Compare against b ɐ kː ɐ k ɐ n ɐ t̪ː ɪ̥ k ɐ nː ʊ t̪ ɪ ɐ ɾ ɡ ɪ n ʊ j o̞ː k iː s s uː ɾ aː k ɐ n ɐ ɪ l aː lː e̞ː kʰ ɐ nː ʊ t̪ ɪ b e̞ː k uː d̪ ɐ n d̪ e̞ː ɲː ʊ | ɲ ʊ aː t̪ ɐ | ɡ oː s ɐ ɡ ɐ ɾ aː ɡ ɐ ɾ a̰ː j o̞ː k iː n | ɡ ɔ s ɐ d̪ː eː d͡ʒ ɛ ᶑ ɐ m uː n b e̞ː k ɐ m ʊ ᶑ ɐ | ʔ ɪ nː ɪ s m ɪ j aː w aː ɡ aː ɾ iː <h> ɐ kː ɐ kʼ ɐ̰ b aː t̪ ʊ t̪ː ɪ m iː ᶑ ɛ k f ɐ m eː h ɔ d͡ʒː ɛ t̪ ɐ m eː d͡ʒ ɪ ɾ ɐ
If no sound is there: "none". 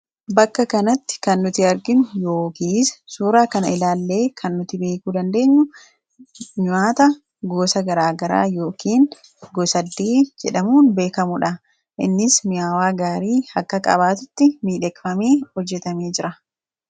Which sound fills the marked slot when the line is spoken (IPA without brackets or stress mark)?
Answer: h